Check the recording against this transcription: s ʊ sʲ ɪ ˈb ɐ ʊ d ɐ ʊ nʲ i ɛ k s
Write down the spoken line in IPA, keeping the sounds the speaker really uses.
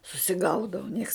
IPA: s ʊ sʲ ɪ ˈɡ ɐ ʊ d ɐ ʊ nʲ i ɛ k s